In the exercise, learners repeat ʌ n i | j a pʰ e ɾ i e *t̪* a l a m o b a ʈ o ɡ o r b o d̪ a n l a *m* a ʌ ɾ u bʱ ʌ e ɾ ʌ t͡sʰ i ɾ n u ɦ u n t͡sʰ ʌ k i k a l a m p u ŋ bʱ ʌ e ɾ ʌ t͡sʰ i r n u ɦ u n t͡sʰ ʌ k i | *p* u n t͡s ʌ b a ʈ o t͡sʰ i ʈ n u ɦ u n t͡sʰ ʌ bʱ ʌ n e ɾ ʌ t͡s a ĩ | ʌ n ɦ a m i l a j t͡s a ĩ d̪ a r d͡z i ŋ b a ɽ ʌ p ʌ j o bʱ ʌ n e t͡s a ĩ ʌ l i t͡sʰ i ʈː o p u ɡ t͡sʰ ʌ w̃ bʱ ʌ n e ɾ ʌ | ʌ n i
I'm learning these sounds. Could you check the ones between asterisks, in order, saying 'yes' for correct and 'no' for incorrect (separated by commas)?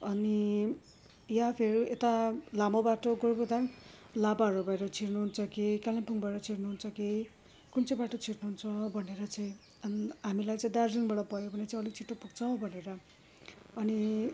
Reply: yes, no, no